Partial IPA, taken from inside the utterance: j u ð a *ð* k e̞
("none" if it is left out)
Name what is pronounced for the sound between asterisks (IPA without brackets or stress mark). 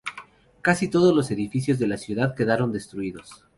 ð